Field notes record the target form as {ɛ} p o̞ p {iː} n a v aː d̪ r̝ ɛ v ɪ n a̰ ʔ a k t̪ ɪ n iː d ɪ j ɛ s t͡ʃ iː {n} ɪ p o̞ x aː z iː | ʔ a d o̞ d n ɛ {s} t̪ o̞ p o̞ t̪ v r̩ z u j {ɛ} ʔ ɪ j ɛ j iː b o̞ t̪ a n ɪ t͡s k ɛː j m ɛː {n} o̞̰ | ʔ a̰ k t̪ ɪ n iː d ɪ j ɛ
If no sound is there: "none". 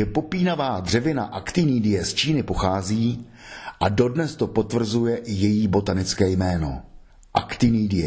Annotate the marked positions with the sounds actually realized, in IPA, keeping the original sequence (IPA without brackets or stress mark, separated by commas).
ɛ, iː, n, s, ɛ, n